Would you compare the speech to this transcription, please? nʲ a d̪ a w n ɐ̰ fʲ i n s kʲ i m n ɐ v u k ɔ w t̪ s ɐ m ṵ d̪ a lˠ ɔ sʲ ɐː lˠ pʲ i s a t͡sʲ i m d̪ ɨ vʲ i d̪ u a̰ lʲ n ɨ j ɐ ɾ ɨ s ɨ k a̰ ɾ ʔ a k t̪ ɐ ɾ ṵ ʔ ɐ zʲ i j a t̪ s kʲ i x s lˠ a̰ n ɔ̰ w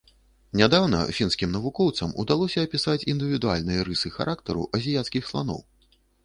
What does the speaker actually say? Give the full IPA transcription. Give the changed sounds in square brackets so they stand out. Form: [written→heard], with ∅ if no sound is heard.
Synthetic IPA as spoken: nʲ a d̪ a w n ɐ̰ fʲ i n s kʲ i m n ɐ v u k ɔ w t̪ s ɐ m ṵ d̪ a lˠ ɔ sʲ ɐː [lˠ→∅] pʲ i s a t͡sʲ i [m→n] d̪ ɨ vʲ i d̪ u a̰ lʲ n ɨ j ɐ ɾ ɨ s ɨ [k→x] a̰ ɾ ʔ a k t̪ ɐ ɾ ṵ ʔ ɐ zʲ i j a t̪ s kʲ i x s lˠ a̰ n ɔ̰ w

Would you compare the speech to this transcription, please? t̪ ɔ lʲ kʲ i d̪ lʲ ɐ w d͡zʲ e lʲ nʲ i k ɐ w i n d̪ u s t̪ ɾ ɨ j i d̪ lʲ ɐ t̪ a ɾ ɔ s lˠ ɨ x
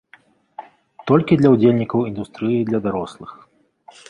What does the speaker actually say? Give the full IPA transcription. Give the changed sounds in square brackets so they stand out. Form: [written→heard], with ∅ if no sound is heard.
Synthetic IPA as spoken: t̪ ɔ lʲ kʲ i d̪ lʲ ɐ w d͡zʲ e lʲ nʲ i k ɐ w i n d̪ u s t̪ ɾ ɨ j i d̪ lʲ ɐ [t̪→d̪] a ɾ ɔ s lˠ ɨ x

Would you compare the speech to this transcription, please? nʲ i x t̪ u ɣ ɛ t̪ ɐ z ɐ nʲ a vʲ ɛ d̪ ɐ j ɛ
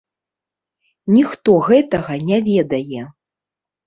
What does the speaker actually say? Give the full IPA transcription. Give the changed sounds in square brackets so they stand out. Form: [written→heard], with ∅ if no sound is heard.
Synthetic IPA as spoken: nʲ i x t̪ [u→ɔ] ɣ ɛ t̪ ɐ [z→ɣ] ɐ nʲ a vʲ ɛ d̪ ɐ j ɛ

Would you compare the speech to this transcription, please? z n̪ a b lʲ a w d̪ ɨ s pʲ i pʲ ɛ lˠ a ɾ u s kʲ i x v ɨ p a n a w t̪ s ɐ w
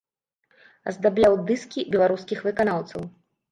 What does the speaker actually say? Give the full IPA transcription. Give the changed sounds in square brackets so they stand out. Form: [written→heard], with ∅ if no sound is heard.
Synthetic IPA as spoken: z [n̪→d̪] a b lʲ a w d̪ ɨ s [pʲ→kʲ] i [pʲ→bʲ] ɛ lˠ a ɾ u s kʲ i x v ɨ [p→k] a n a w t̪ s ɐ w

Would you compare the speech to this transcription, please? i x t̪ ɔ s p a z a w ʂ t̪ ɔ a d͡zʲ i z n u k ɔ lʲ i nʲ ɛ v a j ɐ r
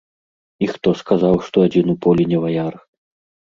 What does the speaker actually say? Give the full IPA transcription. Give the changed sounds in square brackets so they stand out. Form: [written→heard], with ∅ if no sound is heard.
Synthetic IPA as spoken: i x t̪ ɔ s [p→k] a z a w ʂ t̪ ɔ a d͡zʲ i [z→∅] n u [k→p] ɔ lʲ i nʲ ɛ v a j [ɐ→a] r

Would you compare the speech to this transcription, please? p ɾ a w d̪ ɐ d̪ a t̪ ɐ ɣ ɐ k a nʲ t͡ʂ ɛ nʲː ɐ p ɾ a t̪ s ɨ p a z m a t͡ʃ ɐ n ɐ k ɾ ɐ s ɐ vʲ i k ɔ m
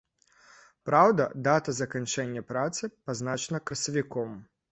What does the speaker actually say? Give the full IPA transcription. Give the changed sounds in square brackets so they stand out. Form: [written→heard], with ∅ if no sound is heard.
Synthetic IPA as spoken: p ɾ a w d̪ ɐ d̪ a t̪ ɐ [ɣ→z] ɐ k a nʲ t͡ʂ ɛ nʲː ɐ p ɾ a t̪ s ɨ p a z [m→n] a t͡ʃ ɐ n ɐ k ɾ ɐ s ɐ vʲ i k ɔ m

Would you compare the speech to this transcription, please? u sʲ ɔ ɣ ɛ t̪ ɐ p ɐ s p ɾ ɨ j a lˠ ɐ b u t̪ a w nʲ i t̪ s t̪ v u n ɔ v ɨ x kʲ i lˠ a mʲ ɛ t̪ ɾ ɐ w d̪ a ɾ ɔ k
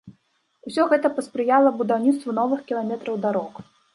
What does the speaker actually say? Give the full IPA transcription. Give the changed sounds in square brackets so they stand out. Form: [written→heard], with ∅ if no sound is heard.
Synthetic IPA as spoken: u sʲ ɔ ɣ ɛ t̪ ɐ p ɐ s p ɾ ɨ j a lˠ ɐ b u [t̪→d̪] a w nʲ i t̪ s t̪ v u n ɔ v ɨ x kʲ i lˠ a mʲ ɛ t̪ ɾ ɐ w d̪ a ɾ ɔ k

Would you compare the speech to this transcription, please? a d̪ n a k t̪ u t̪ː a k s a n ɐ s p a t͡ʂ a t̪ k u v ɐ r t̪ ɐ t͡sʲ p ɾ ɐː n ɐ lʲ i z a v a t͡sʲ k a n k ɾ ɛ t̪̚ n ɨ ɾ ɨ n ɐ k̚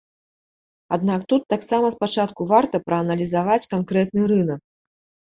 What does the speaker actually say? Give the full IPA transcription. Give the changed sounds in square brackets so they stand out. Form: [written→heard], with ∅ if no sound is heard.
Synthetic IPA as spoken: a d̪ n a k t̪ u t̪ː a k s a [n→m] ɐ s p a t͡ʂ a t̪ k u v [ɐ→a] r t̪ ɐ [t͡sʲ→∅] p ɾ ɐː n ɐ lʲ i z a v a t͡sʲ k a n k ɾ ɛ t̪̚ n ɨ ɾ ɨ n ɐ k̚

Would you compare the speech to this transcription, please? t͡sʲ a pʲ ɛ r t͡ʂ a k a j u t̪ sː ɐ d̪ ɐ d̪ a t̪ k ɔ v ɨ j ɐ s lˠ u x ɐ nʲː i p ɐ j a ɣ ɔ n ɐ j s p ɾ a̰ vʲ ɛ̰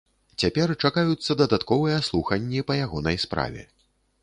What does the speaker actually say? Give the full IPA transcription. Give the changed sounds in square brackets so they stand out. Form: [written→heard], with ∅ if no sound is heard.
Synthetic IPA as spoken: t͡sʲ a pʲ ɛ r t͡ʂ a k a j u t̪ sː ɐ d̪ ɐ d̪ a t̪ k ɔ v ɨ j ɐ s lˠ u x ɐ nʲː i p ɐ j a ɣ ɔ n ɐ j s p ɾ a̰ vʲ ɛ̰

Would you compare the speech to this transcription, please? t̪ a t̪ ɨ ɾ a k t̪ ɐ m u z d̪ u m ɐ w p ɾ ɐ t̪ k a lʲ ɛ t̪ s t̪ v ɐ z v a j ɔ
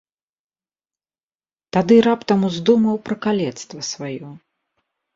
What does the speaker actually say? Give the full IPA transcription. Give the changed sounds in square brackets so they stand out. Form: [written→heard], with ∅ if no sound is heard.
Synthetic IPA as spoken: t̪ a [t̪→d̪] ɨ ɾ a [k→p] t̪ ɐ m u z d̪ u m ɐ w p ɾ ɐ [t̪→∅] k a lʲ ɛ t̪ s t̪ v ɐ [z→s] v a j ɔ

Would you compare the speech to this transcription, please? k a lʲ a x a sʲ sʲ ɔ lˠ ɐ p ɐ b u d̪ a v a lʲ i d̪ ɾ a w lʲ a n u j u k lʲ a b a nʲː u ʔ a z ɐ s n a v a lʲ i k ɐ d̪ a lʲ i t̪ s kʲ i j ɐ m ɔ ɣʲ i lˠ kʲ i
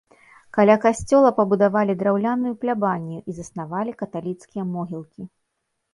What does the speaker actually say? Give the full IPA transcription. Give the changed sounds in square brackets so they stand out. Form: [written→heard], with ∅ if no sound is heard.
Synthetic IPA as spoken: k a lʲ a [x→k] a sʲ [sʲ→t͡sʲ] ɔ lˠ ɐ p ɐ b u d̪ a v a lʲ i d̪ ɾ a w lʲ a n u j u [k→p] lʲ a b a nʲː u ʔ [a→i] z ɐ s n a v a lʲ i k ɐ [d̪→t̪] a lʲ i t̪ s kʲ i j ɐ m ɔ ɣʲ i lˠ kʲ i

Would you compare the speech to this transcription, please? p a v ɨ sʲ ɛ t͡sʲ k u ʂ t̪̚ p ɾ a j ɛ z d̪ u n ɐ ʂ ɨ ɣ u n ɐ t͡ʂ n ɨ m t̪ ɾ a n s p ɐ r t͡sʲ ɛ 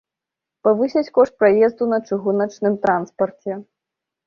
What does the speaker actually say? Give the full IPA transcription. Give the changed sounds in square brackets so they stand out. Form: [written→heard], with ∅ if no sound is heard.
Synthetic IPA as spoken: p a v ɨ sʲ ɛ t͡sʲ k [u→ɔ] ʂ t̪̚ p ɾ a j ɛ z d̪ u n ɐ [ʂ→t͡ʂ] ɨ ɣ u n ɐ t͡ʂ n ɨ m t̪ ɾ a n s p ɐ r t͡sʲ ɛ

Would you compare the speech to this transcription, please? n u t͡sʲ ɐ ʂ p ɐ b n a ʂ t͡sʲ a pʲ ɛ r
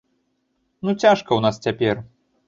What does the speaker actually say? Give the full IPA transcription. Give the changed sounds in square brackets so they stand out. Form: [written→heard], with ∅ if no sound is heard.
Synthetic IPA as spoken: n u t͡sʲ [ɐ→a] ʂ [p→k] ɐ [b→w] n a [ʂ→s] t͡sʲ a pʲ ɛ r

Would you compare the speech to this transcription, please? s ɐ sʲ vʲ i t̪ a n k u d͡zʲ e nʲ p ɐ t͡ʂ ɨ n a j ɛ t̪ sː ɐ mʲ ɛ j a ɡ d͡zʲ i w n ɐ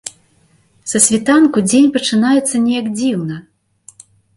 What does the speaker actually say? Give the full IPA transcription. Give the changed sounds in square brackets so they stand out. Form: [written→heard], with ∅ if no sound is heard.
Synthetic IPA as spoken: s ɐ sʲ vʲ i t̪ a n k u d͡zʲ e nʲ p ɐ t͡ʂ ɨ n a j ɛ t̪ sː ɐ [mʲ→nʲ] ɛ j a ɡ d͡zʲ i w n ɐ

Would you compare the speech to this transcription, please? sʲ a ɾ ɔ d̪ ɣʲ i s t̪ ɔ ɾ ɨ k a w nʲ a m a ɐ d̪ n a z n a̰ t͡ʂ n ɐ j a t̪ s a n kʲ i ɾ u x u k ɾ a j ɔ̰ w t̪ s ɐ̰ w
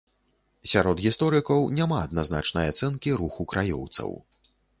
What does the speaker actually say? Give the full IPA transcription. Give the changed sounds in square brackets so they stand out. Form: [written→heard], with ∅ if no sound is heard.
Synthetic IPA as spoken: sʲ a ɾ ɔ d̪ ɣʲ i s t̪ ɔ ɾ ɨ k [a→ɐ] w nʲ a m a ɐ d̪ n a z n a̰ t͡ʂ n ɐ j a t̪ s [a→ɛ] n kʲ i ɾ u x u k ɾ a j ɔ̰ w t̪ s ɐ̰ w

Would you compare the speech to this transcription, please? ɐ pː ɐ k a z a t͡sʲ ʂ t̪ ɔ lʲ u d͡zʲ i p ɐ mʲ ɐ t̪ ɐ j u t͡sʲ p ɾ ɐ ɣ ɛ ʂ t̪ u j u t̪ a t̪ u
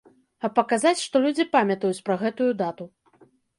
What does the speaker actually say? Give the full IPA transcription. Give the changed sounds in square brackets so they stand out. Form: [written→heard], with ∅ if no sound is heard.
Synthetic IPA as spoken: ɐ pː ɐ k a z a t͡sʲ ʂ t̪ ɔ lʲ u d͡zʲ i p [ɐ→a] mʲ ɐ t̪ ɐ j u t͡sʲ p ɾ ɐ ɣ ɛ [ʂ→∅] t̪ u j u [t̪→d̪] a t̪ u

